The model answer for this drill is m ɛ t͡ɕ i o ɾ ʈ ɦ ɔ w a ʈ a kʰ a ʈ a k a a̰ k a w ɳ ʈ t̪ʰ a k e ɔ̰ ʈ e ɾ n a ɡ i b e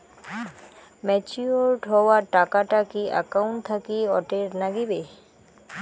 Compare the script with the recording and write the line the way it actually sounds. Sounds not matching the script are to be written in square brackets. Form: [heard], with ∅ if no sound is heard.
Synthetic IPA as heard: m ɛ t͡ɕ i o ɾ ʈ ɦ ɔ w a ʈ a [k] a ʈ a k [i] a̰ k a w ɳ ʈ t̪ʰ a k [i] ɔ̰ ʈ e ɾ n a ɡ i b e